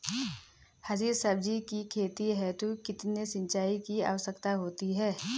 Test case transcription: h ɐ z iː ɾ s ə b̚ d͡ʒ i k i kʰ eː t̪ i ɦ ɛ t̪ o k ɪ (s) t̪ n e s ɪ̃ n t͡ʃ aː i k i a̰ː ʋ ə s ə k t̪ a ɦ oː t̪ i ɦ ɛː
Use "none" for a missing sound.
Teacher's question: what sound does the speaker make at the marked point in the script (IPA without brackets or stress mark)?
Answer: none